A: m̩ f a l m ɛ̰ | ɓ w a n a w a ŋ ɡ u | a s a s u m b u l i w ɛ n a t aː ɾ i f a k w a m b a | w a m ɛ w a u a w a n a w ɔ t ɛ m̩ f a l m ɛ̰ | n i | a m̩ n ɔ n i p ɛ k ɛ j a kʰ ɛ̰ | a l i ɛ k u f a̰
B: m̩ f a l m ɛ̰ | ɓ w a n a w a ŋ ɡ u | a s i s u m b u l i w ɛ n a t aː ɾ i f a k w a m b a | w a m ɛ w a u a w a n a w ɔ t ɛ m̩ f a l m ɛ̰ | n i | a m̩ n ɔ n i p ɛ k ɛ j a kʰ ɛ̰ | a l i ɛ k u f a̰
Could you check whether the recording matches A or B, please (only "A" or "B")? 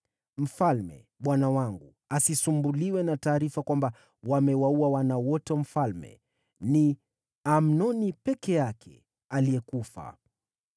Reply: B